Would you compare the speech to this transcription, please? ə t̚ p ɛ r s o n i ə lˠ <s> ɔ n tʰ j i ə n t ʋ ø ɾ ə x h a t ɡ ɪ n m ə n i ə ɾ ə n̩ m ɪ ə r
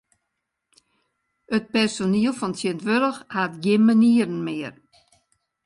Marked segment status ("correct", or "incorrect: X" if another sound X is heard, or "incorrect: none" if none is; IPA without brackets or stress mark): incorrect: f